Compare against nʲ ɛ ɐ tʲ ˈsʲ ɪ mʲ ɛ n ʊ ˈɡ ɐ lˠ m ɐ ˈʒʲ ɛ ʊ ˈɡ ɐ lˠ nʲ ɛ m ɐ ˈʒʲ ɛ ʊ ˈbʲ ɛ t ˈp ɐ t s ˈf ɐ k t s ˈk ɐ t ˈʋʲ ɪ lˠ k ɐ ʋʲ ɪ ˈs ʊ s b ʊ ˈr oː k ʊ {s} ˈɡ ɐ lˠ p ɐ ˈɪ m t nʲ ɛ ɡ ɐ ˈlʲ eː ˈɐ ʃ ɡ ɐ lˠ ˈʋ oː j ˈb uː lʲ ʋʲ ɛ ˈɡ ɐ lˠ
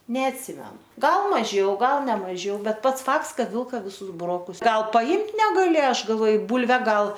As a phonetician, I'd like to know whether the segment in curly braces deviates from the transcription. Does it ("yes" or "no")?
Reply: no